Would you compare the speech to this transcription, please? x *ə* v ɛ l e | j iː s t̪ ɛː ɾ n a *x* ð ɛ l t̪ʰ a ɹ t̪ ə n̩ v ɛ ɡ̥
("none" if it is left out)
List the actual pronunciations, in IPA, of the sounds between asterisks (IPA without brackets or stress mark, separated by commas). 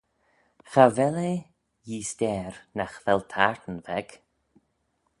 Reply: a, x